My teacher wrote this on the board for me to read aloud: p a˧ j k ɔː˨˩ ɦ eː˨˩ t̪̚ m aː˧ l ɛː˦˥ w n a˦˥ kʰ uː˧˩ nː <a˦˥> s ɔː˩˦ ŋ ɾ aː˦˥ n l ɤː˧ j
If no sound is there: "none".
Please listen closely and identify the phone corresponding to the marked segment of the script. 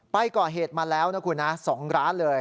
a˦˥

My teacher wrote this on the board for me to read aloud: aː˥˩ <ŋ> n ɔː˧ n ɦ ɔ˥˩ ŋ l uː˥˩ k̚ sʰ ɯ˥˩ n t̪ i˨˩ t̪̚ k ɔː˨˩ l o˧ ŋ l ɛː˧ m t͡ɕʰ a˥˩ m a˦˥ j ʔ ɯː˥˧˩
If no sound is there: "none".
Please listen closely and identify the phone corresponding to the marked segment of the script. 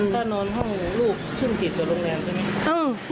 none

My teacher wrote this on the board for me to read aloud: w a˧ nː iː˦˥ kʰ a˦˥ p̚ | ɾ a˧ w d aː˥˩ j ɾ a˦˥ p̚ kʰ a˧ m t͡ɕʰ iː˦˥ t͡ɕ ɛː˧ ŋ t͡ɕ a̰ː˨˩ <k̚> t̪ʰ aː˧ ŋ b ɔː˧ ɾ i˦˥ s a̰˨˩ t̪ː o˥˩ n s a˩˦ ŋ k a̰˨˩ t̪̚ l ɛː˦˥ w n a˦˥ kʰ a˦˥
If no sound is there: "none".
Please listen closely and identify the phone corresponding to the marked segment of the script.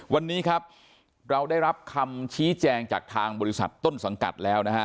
k̚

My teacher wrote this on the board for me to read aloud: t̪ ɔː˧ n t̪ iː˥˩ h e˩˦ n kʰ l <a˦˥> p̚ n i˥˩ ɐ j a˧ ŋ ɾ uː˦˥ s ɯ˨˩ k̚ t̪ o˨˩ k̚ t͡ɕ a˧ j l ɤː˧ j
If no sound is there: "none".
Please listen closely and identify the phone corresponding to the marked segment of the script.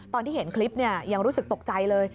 i˦˥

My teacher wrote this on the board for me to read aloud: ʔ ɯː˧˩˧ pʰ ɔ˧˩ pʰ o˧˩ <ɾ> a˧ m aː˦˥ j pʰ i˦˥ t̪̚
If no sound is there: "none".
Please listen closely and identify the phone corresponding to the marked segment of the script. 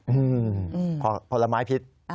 l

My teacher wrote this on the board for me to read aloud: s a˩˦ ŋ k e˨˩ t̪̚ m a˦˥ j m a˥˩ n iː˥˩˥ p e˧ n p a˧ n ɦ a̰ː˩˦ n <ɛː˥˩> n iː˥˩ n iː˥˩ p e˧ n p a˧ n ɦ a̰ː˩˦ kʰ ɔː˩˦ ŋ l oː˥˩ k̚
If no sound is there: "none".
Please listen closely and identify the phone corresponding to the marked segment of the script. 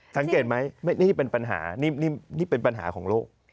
iː˥˩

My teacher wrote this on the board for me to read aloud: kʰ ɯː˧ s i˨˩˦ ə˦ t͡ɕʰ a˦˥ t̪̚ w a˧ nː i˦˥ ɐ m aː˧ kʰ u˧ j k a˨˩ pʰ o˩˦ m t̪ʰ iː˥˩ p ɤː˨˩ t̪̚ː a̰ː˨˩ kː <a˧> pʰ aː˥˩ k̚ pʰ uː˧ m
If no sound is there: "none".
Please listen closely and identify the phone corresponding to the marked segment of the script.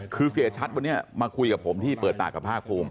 a˨˩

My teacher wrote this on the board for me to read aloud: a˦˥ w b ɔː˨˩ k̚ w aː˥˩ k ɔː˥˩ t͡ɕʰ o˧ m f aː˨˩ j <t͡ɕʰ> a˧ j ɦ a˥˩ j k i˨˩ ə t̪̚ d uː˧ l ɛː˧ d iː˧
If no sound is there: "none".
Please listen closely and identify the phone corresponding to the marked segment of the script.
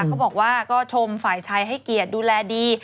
t͡ɕʰ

